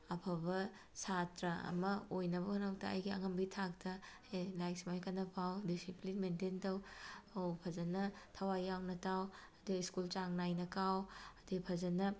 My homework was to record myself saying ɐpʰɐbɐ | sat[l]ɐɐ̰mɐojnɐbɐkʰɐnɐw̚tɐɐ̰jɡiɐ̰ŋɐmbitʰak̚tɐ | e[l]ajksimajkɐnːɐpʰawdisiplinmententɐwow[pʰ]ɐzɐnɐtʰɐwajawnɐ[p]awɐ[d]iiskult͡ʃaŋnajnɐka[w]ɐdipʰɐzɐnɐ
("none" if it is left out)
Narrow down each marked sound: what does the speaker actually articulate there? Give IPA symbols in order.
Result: ɾ, l, pʰ, t, d, w

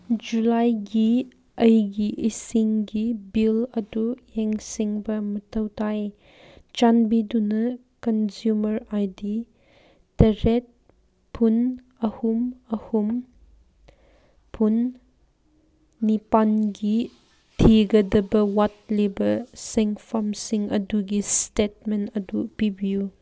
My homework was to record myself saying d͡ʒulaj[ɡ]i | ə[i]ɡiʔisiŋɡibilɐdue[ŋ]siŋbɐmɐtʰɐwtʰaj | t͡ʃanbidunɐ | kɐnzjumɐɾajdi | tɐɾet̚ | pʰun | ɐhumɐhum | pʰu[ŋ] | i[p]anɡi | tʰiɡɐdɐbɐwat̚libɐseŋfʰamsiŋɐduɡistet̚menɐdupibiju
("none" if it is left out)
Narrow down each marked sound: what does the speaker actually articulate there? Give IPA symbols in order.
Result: ɡ, j, ŋ, n, p

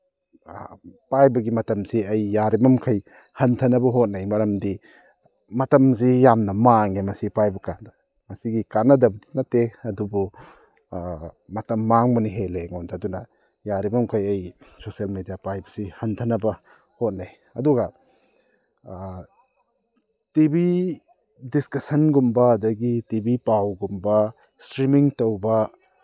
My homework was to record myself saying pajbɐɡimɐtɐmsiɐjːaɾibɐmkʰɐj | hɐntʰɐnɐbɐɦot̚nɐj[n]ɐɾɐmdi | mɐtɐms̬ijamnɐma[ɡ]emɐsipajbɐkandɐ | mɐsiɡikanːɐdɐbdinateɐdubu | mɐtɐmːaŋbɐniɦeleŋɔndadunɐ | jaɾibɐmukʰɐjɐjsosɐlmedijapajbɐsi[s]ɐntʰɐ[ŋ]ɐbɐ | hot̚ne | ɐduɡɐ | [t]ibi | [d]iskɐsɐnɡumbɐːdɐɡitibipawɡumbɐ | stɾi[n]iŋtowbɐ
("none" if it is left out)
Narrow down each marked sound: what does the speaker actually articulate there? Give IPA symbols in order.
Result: m, ŋ, h, n, t, d, m

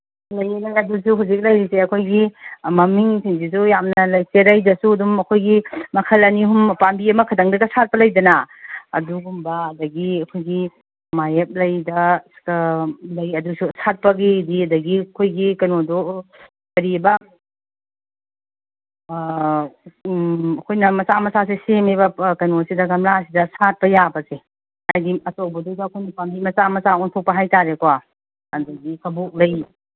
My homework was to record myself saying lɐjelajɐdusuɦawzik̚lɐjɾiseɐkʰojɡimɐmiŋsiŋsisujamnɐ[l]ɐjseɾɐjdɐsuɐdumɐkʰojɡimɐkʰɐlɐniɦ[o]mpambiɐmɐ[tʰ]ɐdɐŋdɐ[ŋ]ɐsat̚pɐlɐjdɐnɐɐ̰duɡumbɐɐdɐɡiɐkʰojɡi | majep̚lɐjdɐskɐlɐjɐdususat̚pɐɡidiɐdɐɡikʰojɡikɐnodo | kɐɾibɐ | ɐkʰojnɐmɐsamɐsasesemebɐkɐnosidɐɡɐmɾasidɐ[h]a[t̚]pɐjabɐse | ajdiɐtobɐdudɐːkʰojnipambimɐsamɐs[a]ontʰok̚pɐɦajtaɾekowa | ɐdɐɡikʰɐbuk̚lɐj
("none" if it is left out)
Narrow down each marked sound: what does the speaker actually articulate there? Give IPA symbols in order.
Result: l, u, kʰ, ɡ, s, t̚, a

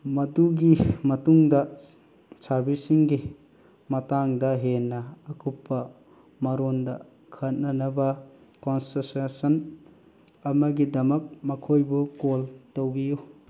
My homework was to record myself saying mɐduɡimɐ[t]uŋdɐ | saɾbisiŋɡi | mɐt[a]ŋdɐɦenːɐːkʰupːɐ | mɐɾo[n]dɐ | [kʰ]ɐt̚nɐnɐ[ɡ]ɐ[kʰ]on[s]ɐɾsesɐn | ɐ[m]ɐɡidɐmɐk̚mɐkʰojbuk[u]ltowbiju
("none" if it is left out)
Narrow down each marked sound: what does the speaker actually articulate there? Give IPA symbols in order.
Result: t, a, n, kʰ, b, k, s, m, o

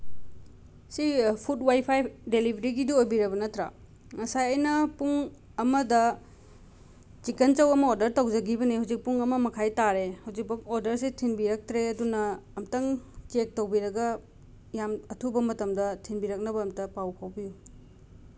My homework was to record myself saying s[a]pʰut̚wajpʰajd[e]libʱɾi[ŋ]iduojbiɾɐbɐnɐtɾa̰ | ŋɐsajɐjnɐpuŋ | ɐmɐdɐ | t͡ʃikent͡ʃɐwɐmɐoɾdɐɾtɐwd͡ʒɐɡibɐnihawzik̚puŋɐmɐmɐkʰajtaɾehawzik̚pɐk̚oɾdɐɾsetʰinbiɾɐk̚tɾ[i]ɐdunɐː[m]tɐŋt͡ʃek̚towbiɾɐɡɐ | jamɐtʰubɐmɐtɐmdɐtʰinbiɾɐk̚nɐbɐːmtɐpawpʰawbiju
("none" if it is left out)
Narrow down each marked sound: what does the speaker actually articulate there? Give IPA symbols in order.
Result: i, e, ɡ, e, m

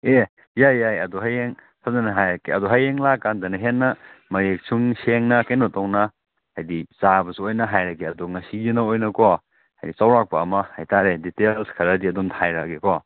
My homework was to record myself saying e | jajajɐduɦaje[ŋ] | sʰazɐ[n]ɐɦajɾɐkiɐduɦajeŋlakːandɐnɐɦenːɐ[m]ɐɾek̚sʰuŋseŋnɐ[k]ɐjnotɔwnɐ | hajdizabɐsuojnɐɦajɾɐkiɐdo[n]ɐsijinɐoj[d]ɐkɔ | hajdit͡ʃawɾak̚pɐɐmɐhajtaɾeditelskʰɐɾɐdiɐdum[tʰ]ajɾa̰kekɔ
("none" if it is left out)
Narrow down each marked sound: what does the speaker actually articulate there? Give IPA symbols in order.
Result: ŋ, n, m, k, ŋ, n, tʰ

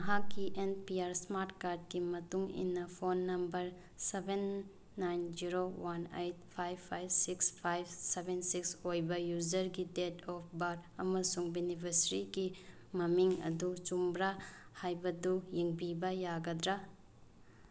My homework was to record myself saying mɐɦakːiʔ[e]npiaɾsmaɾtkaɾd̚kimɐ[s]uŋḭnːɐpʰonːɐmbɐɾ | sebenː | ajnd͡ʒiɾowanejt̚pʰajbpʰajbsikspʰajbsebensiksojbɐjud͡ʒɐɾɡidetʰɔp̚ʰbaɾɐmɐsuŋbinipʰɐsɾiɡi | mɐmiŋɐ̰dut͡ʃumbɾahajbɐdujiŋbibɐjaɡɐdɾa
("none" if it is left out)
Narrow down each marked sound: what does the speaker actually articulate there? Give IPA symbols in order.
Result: e, t

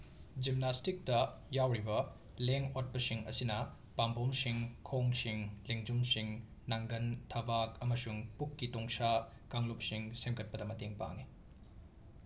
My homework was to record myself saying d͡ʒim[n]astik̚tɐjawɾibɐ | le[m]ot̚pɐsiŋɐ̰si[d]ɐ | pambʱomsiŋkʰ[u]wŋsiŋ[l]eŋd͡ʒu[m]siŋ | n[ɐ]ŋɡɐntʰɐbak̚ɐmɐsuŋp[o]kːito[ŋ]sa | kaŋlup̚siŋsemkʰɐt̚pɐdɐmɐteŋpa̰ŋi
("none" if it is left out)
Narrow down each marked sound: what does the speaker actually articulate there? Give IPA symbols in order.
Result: n, ŋ, n, o, l, m, a, u, ŋ

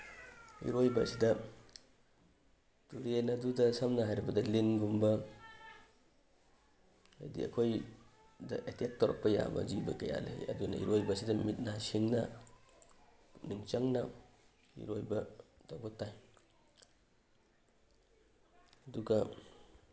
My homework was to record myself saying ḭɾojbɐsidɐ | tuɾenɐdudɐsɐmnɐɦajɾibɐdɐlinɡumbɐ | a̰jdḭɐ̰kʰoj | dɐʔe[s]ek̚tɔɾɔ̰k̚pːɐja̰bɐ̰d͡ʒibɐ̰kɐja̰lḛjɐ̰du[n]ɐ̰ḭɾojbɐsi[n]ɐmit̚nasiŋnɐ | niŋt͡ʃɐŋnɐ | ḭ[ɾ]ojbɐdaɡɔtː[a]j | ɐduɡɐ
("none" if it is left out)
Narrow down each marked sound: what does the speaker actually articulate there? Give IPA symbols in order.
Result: t, n, d, ɾ, a

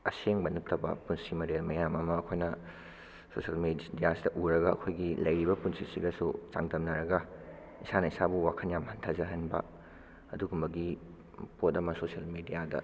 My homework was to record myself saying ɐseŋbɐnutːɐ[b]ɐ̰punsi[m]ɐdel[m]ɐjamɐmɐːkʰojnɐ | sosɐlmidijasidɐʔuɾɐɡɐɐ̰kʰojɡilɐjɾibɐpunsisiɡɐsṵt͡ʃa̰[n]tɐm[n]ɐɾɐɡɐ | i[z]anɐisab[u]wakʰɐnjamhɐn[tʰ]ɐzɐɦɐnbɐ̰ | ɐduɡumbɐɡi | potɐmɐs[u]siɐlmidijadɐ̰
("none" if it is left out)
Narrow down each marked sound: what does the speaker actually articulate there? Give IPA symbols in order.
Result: b, m, m, ŋ, n, s, u, tʰ, o

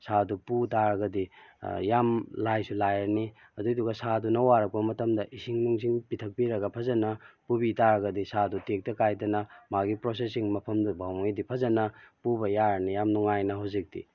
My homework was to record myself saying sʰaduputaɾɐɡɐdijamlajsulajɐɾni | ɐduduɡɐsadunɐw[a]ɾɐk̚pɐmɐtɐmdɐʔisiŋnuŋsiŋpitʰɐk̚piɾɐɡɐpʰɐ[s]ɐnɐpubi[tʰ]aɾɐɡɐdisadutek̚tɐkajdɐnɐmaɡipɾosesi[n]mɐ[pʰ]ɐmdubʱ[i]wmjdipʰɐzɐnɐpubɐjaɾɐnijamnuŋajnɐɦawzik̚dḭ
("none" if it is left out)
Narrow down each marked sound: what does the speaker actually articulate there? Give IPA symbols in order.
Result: a, z, t, ŋ, pʰ, a

